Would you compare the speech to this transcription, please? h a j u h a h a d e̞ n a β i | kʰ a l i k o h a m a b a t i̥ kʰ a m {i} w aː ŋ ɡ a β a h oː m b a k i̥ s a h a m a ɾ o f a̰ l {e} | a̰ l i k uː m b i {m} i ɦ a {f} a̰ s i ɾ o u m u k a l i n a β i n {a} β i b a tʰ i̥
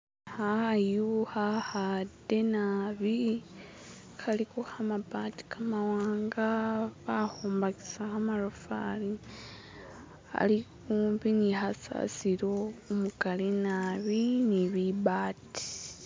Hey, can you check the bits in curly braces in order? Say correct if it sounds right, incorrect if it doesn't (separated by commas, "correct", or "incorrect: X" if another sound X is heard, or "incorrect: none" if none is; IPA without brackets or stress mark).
incorrect: a, incorrect: i, incorrect: n, incorrect: s, incorrect: i